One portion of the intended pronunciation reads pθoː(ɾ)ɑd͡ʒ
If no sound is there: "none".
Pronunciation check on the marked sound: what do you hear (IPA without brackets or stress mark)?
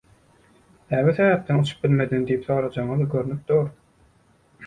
ɾ